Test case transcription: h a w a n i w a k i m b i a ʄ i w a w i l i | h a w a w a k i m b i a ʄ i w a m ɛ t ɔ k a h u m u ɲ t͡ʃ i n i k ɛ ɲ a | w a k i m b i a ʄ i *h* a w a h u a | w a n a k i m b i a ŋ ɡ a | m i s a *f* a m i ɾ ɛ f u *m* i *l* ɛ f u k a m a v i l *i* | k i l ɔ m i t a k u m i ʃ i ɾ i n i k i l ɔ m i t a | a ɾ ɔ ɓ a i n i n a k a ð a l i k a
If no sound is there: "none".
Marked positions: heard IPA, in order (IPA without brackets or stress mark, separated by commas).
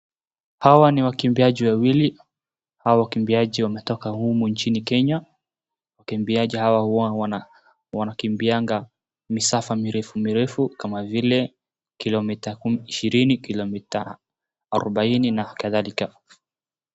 h, f, m, ɾ, ɛ